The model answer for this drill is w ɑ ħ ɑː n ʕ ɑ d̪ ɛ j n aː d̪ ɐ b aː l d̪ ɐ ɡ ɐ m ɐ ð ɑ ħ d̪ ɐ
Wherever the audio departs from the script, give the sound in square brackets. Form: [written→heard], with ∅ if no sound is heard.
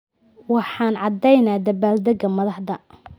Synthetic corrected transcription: w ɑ ħ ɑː n ʕ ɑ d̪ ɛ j n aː d̪ ɐ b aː l d̪ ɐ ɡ ɐ m ɐ ð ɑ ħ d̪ ɐ